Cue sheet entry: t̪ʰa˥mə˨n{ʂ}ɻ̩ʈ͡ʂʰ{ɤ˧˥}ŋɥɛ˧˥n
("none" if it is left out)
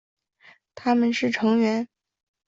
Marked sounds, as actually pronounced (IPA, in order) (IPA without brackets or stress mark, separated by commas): ʂ, ɤ˧˥